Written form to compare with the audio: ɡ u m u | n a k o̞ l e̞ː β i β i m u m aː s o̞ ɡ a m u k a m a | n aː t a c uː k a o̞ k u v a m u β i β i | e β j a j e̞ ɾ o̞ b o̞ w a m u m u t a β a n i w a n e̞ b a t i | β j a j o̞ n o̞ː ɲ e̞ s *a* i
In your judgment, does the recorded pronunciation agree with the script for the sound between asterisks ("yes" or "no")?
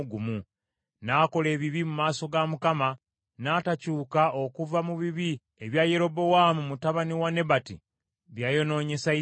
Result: yes